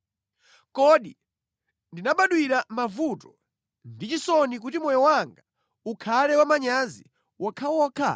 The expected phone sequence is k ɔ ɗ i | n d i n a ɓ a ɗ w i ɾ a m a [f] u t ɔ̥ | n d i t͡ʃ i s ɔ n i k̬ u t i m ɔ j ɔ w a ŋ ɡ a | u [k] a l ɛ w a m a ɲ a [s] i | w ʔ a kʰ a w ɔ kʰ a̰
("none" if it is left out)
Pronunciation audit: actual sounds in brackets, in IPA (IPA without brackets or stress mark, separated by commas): v, kʰ, z